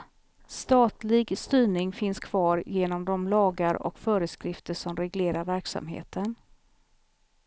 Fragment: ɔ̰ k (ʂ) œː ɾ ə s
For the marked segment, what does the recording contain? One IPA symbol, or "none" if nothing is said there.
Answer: f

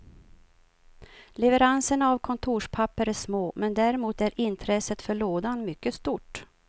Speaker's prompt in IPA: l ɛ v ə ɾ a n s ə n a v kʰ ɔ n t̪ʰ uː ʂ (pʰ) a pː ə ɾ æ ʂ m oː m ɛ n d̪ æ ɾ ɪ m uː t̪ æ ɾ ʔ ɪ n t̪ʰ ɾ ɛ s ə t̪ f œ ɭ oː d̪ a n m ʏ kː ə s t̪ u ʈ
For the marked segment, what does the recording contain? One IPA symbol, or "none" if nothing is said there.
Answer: pʰ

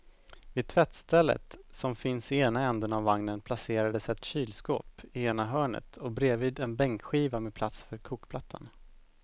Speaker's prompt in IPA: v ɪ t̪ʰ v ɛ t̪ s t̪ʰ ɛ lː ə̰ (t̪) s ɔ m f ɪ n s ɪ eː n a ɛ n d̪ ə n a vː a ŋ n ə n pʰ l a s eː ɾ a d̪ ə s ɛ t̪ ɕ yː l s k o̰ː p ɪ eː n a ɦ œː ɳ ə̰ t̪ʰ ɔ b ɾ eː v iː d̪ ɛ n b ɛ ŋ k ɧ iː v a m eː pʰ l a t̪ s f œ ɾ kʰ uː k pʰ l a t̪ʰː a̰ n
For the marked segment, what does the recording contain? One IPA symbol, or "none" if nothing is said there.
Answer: t̪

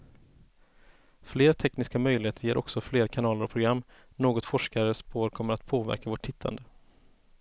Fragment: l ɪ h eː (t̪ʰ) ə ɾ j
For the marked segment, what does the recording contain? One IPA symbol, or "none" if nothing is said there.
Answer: t̪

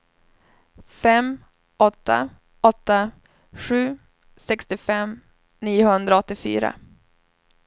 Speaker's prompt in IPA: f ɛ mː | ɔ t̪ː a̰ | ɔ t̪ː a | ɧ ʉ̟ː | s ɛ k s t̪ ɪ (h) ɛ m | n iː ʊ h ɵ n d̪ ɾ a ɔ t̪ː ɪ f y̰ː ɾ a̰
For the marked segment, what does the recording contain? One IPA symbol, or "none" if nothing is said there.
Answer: f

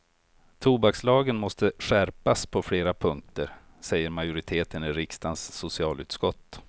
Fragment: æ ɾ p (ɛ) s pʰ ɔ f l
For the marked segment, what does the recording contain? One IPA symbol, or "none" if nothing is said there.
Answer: a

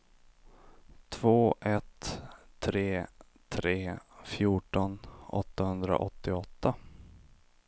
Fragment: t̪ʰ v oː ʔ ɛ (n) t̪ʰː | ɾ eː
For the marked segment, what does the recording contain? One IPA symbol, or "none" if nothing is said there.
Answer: none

